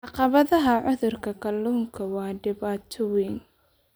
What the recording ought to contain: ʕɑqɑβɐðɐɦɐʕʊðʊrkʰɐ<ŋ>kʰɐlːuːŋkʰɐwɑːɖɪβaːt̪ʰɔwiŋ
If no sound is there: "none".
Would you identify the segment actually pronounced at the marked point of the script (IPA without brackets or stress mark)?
none